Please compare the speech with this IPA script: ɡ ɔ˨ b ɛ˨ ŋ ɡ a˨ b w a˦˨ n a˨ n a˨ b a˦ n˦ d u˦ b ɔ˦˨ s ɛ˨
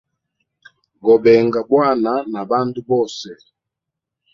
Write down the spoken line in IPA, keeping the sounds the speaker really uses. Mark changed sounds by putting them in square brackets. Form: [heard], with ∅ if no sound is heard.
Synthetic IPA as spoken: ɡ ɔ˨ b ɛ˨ ŋ ɡ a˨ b w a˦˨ n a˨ n a˨ b a˦ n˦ d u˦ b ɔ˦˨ s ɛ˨

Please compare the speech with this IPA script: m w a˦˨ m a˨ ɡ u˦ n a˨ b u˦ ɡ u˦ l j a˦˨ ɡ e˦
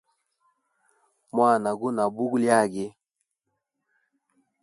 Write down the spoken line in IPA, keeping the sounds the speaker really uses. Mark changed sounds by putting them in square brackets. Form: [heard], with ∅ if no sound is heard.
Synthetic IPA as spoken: m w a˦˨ [n] a˨ ɡ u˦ n a˨ b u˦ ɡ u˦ l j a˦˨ ɡ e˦

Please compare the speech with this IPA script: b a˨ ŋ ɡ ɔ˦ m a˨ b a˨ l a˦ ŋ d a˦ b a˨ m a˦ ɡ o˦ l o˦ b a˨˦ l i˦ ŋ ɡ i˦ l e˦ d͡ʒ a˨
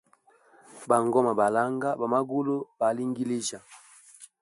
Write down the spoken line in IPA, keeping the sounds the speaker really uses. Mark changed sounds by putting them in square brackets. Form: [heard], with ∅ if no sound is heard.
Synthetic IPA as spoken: b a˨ ŋ ɡ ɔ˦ m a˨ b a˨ l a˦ ŋ [ɡ] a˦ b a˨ m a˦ ɡ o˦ l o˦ b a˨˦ l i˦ ŋ ɡ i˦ l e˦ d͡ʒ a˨

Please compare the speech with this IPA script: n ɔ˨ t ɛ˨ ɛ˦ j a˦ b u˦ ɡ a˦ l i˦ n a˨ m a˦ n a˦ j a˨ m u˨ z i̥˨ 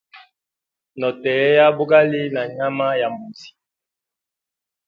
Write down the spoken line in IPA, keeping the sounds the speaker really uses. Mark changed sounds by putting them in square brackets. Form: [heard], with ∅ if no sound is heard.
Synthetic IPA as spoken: n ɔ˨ t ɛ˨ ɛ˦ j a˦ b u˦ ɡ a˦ l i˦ n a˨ [ɲ] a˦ [m] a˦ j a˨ m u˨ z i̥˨

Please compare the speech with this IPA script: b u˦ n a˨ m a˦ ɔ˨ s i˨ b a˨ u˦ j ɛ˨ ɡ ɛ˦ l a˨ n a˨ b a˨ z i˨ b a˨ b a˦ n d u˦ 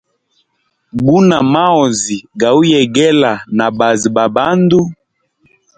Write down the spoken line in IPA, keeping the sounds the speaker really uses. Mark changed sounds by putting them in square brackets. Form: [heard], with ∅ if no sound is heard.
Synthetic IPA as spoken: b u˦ n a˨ m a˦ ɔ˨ [z] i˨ [ɡ] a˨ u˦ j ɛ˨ ɡ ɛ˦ l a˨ n a˨ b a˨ z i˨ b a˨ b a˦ n d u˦

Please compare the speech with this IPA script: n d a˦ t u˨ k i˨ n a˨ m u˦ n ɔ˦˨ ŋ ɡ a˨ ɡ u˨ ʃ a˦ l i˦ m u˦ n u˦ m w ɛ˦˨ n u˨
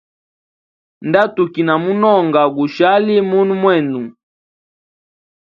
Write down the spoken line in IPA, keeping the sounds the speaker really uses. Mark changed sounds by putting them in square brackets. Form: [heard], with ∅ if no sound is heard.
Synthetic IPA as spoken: n d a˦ t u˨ k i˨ n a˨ m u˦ n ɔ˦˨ ŋ ɡ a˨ ɡ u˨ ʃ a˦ l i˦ m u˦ n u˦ m w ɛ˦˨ n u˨

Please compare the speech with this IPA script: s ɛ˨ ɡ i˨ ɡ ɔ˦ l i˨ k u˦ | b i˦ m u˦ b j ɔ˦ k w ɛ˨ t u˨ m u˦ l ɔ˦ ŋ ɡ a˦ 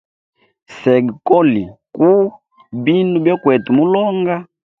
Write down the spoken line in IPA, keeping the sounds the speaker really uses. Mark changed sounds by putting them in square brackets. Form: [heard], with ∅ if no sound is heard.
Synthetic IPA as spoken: s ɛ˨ ɡ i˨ [k] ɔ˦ l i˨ k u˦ | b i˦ [n] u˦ b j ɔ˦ k w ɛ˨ t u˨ m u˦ l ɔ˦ ŋ ɡ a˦

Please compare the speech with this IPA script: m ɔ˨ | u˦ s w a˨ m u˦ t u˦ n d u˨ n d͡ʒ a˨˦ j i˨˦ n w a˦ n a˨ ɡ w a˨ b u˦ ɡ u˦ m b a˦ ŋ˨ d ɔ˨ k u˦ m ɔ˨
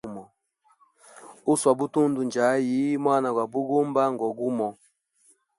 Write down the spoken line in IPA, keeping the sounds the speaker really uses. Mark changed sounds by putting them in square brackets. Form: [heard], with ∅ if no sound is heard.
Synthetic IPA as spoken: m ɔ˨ | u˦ s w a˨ [b] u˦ t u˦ n d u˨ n d͡ʒ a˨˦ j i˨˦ [m] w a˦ n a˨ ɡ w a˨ b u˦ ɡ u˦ m b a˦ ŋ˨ [ɡ] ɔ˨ [ɡ] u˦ m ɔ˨

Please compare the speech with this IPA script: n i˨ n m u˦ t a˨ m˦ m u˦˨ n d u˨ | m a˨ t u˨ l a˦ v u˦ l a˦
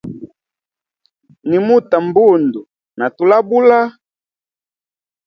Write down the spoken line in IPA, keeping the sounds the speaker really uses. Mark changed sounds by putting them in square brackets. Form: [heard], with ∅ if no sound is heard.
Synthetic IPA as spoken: n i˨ [∅] m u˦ t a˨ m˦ [b] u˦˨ n d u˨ | [n] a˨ t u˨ l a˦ [b] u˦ l a˦

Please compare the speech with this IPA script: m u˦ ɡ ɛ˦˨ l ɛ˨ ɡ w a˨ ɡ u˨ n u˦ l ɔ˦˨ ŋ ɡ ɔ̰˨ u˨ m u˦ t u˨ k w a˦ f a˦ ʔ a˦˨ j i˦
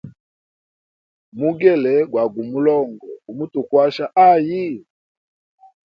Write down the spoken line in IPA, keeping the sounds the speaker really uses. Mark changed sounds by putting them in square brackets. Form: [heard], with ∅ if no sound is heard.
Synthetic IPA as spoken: m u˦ ɡ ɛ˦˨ l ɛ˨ ɡ w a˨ ɡ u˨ [m] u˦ l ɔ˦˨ ŋ ɡ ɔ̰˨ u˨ m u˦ t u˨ k w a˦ [ʃ] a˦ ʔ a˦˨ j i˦

